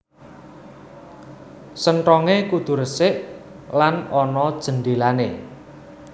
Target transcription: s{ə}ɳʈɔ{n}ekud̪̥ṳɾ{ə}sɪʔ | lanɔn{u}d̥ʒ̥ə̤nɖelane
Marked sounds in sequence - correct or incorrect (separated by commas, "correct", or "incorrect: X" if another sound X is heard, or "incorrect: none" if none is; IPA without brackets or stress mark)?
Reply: correct, incorrect: ŋ, correct, incorrect: ɔ